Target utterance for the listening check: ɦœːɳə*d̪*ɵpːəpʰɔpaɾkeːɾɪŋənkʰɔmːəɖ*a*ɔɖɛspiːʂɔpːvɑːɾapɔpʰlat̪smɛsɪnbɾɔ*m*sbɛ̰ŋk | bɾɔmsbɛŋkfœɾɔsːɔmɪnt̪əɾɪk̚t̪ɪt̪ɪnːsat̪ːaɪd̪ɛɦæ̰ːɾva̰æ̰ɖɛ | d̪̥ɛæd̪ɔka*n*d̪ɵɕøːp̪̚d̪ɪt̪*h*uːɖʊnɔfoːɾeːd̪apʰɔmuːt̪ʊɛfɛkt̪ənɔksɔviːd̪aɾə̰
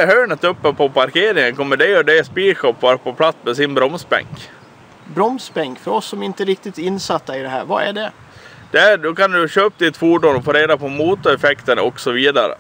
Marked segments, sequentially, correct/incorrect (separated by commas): incorrect, incorrect, correct, correct, incorrect